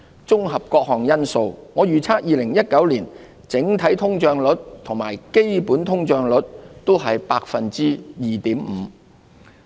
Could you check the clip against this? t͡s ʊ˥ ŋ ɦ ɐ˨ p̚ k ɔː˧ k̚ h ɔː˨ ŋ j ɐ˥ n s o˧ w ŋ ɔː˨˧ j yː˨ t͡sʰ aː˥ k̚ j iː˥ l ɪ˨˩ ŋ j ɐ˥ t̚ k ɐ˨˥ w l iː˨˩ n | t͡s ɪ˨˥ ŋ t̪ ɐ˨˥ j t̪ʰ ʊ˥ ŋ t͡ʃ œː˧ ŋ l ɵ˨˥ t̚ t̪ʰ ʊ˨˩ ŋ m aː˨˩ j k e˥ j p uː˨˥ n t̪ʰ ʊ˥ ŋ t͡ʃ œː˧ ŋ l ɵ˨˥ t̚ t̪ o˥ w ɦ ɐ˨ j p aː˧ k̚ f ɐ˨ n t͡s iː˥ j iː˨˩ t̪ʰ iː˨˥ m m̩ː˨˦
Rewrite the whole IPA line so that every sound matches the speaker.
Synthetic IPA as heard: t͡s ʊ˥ ŋ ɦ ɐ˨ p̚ k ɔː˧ k̚ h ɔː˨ ŋ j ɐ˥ n s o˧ w ŋ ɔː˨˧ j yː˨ t͡sʰ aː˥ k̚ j iː˨˧ l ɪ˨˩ ŋ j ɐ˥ t̚ k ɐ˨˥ w l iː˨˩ n | t͡s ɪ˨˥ ŋ t̪ʰ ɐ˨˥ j t̪ʰ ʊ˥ ŋ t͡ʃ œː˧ ŋ l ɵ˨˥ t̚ t̪ʰ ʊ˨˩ ŋ m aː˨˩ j k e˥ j p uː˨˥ n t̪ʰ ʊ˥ ŋ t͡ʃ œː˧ ŋ l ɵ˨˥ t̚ t̪ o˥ w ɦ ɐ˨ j p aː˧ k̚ f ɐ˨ n t͡s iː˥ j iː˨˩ t̪ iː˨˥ m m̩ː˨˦